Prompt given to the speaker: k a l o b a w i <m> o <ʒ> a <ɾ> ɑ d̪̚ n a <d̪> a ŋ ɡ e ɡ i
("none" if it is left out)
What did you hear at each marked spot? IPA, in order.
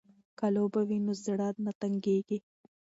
n, z, ɽ, t̪

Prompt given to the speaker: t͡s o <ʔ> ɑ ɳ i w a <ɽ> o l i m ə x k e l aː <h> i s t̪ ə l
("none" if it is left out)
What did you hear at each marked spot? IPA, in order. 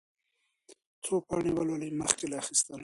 p, l, x

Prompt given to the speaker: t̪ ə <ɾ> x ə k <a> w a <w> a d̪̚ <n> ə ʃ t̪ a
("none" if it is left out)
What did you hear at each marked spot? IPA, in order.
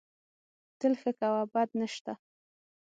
l, a, b, n

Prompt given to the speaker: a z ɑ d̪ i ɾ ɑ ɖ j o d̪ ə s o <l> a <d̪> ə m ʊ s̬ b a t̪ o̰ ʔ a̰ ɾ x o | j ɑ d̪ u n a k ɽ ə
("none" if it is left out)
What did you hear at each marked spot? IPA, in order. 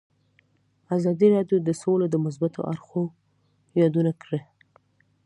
l, d̪

